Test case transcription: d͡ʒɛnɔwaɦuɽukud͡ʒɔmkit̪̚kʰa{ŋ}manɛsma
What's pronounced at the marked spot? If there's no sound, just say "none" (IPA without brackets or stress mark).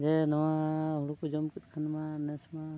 n